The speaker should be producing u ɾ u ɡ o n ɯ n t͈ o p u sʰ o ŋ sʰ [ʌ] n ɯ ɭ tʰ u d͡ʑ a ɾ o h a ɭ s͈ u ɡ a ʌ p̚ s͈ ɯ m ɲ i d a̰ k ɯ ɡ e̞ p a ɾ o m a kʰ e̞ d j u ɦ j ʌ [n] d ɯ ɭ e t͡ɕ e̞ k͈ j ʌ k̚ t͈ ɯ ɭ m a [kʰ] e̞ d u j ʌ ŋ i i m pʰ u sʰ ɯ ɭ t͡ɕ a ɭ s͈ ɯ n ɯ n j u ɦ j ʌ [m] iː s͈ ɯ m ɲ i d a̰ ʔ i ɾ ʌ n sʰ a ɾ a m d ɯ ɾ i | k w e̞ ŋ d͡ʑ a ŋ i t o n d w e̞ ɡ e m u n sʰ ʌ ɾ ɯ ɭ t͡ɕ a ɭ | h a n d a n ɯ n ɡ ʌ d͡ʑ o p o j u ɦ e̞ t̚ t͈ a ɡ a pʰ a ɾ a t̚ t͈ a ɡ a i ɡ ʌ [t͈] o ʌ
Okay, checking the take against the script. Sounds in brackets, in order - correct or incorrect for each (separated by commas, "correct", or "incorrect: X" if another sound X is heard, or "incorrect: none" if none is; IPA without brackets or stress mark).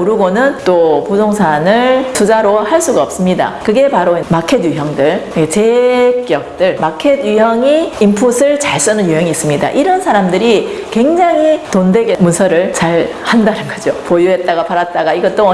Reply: incorrect: a, incorrect: ŋ, correct, incorrect: ŋ, correct